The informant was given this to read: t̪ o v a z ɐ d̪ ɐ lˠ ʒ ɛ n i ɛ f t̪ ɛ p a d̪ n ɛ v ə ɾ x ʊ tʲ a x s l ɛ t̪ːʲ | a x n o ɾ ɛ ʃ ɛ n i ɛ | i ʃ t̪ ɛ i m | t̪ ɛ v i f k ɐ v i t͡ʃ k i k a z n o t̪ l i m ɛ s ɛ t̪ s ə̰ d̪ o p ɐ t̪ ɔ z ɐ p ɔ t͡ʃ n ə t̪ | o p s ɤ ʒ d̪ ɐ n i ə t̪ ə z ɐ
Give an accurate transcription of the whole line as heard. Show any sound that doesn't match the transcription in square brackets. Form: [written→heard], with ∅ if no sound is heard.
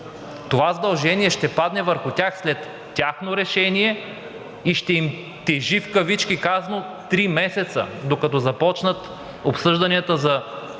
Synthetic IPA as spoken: t̪ o v a z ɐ d̪ ɐ lˠ ʒ ɛ n i ɛ [f→ʃ] t̪ ɛ p a d̪ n ɛ v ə ɾ x ʊ tʲ a x s l ɛ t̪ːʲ | a x n o ɾ ɛ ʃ ɛ n i ɛ | i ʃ t̪ ɛ i m | t̪ ɛ [v→ʒ] i f k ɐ v i t͡ʃ k i k a z n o t̪ [l→ɾ] i m ɛ s ɛ t̪ s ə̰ d̪ o [p→k] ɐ t̪ ɔ z ɐ p ɔ t͡ʃ n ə t̪ | o p s ɤ ʒ d̪ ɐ n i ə t̪ ə z ɐ